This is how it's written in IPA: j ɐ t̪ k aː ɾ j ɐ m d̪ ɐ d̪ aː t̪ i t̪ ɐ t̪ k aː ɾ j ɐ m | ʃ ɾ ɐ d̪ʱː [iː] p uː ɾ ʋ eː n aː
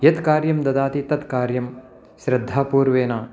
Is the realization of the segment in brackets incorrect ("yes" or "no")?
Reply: yes